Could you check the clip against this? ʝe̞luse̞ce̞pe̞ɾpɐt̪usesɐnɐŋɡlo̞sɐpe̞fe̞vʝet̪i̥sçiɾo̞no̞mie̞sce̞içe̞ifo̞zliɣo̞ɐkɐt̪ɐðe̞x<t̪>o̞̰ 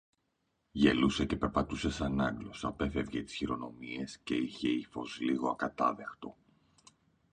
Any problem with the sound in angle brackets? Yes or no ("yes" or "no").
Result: no